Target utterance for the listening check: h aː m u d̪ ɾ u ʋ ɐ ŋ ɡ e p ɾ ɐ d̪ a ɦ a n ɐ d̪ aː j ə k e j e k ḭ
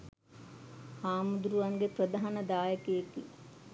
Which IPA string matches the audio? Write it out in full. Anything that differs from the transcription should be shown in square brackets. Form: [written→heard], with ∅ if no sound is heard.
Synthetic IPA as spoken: h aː m u d̪ ɾ u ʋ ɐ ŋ ɡ e p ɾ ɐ d̪ a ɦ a n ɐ d̪ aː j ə k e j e k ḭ

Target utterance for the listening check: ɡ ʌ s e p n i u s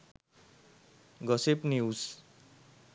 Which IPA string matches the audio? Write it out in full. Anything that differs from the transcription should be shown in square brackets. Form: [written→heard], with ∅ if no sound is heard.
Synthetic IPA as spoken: ɡ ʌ s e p n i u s

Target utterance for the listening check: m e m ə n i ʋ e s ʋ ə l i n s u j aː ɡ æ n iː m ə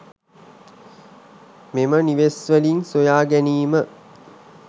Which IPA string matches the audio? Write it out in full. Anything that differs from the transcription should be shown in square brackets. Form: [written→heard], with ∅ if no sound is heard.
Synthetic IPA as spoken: m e m ə n i ʋ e s ʋ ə l i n s [u→o] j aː ɡ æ n iː m ə

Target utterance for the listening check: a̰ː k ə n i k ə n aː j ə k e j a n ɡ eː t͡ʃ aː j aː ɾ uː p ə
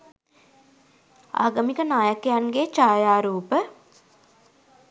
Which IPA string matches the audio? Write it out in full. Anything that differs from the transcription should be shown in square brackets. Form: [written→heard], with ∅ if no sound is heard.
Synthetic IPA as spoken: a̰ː [k→ɡ] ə [n→m] i k ə n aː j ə k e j a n ɡ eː t͡ʃ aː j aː ɾ uː p ə

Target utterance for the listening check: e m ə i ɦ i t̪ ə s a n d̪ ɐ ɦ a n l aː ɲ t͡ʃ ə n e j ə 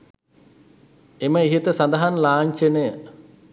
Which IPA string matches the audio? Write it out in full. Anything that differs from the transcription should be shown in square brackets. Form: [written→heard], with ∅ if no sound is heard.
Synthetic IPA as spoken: e m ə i ɦ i t̪ ə s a n d̪ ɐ ɦ a n l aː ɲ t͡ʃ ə n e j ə

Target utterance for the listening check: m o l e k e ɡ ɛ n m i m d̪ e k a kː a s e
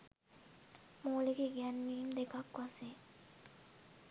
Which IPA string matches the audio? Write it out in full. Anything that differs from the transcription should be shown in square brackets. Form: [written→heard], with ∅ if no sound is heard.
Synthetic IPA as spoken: m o l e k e ɡ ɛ n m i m d̪ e k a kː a s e

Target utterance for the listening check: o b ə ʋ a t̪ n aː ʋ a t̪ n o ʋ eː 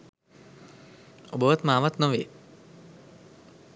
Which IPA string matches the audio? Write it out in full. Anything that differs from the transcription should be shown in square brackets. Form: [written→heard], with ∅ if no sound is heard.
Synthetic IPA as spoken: o b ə ʋ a t̪ [n→m] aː ʋ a t̪ n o ʋ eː

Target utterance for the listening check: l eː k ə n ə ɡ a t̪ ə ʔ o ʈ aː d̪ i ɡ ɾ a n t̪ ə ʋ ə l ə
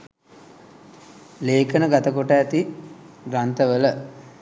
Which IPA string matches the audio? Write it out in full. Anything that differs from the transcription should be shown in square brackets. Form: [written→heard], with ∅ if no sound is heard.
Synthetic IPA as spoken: l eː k ə n ə ɡ a t̪ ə [ʔ→k] o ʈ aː [d̪→t̪] i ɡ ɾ a n t̪ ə ʋ ə l ə

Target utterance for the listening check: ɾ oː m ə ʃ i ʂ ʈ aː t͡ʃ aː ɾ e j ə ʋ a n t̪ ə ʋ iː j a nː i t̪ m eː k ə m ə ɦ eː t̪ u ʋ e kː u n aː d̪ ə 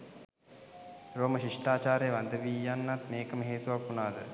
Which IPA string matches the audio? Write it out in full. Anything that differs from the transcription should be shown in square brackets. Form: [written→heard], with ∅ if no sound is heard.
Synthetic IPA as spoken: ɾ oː m ə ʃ i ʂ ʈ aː t͡ʃ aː ɾ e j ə ʋ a n [t̪→d̪] ə ʋ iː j a nː [i→a] t̪ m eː k ə m ə ɦ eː t̪ u ʋ [e→a] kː u n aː d̪ ə

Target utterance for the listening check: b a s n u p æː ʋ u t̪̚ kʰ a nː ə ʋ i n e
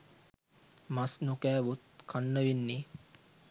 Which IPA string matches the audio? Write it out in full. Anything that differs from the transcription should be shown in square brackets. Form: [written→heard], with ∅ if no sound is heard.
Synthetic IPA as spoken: [b→m] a s n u [p→k] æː ʋ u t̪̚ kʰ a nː ə ʋ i [n→nː] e

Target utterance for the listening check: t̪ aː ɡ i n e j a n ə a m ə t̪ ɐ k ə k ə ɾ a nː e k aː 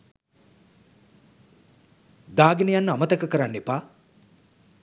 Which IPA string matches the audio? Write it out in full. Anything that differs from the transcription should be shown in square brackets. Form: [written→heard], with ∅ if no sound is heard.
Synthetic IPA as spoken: [t̪→d̪] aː ɡ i n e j a [n→nː] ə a m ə t̪ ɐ k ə k ə ɾ a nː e [k→p] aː

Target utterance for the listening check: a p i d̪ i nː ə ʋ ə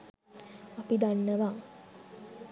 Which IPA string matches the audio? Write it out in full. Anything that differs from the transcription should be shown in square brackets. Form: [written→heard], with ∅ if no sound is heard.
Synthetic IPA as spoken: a p i d̪ [i→a] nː ə ʋ [ə→a]

